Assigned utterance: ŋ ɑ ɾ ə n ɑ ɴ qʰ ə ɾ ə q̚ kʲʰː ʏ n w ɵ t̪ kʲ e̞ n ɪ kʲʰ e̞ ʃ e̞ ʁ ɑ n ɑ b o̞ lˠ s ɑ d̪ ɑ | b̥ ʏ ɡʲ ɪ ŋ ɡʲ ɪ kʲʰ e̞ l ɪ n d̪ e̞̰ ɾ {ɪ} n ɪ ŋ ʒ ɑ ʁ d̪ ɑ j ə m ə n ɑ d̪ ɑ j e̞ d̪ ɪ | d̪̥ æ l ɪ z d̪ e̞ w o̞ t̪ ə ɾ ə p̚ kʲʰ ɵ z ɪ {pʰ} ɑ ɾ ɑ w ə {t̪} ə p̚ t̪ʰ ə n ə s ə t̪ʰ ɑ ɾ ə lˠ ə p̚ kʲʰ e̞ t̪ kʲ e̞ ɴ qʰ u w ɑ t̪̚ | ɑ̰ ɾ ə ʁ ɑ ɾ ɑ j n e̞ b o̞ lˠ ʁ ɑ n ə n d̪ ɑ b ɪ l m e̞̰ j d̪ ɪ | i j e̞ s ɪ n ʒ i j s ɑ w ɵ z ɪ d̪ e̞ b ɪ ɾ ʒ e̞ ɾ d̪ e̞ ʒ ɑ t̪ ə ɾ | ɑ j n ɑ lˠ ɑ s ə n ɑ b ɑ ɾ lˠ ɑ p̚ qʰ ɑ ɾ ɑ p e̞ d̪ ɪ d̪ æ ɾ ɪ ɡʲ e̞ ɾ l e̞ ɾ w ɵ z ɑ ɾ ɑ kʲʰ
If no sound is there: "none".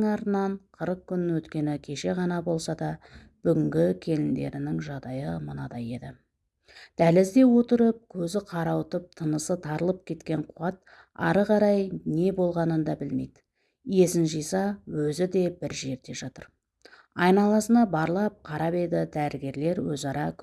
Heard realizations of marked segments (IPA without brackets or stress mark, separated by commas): ɪ, qʰ, t̪